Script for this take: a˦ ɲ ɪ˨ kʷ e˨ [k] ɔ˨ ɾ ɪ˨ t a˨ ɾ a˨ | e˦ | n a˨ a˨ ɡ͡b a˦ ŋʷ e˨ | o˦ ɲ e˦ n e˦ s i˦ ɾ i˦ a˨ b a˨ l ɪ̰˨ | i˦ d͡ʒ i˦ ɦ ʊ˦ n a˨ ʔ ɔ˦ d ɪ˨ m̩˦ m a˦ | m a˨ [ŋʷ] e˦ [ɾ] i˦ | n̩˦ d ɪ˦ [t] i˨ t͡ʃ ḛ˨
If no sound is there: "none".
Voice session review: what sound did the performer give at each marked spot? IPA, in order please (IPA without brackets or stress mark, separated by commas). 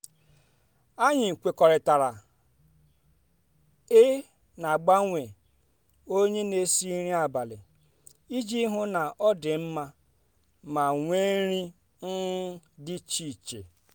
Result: k, ŋʷ, ɾ, t͡ʃ